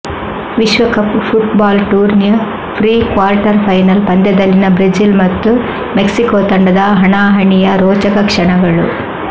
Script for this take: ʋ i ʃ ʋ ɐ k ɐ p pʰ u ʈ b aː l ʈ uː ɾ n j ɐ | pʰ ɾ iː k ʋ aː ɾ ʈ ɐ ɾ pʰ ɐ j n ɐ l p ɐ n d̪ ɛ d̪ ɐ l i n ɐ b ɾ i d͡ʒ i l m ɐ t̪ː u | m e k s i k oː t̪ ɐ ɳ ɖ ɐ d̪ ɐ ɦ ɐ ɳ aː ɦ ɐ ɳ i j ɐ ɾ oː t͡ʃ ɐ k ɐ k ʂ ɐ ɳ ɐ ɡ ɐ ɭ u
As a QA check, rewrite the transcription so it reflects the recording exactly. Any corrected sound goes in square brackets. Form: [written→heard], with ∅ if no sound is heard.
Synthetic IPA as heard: ʋ i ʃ ʋ ɐ k ɐ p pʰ u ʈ b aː l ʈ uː ɾ n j ɐ | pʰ ɾ iː k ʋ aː ɾ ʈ ɐ ɾ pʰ ɐ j n ɐ l p ɐ n d̪ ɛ d̪ ɐ [l→lː] i n ɐ b ɾ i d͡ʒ i l m ɐ t̪ː u | m e k s i k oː t̪ ɐ ɳ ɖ ɐ d̪ ɐ ɦ ɐ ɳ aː ɦ ɐ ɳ i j ɐ ɾ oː t͡ʃ ɐ k ɐ k ʂ ɐ ɳ ɐ ɡ ɐ ɭ u

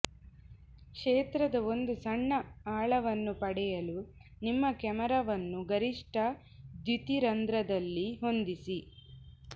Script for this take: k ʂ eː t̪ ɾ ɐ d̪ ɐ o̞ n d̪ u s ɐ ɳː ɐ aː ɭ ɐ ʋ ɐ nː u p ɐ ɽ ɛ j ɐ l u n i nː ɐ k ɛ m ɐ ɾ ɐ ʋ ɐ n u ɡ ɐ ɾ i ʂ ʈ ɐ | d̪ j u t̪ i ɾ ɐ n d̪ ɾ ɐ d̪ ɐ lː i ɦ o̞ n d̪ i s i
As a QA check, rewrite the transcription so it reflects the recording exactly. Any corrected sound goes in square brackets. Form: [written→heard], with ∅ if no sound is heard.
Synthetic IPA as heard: k ʂ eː t̪ ɾ ɐ d̪ ɐ o̞ n d̪ u s ɐ ɳː ɐ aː ɭ ɐ ʋ ɐ nː u p ɐ ɽ ɛ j ɐ l u n i [nː→mː] ɐ k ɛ m ɐ ɾ ɐ ʋ ɐ [n→nː] u ɡ ɐ ɾ i ʂ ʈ ɐ | d̪ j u t̪ i ɾ ɐ n d̪ ɾ ɐ d̪ ɐ lː i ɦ o̞ n d̪ i s i

